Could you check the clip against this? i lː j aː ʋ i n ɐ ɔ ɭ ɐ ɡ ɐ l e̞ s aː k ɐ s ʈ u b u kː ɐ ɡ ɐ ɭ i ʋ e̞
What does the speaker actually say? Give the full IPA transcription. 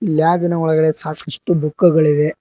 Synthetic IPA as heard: i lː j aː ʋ i n ɐ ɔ ɭ ɐ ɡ ɐ ɽ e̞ s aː k ɐ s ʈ u b u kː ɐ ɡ ɐ ɭ i ʋ e̞